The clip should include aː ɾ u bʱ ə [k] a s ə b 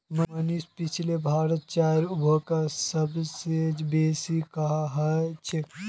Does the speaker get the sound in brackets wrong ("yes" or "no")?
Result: no